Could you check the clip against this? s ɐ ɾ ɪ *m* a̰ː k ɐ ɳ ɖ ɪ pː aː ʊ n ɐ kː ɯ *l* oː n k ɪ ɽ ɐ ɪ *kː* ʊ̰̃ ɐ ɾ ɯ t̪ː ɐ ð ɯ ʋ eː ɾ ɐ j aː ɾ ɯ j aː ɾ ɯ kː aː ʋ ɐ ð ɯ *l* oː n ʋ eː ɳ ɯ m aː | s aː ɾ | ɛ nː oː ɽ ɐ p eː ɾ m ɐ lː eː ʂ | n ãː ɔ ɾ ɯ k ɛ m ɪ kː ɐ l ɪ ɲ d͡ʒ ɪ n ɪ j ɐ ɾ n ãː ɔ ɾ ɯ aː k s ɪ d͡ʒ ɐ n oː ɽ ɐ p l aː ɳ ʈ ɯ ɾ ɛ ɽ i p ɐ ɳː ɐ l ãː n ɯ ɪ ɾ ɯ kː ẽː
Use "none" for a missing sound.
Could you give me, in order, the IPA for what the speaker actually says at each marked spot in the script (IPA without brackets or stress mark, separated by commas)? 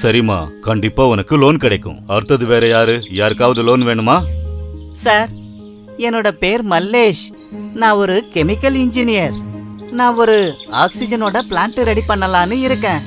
m, l, kː, l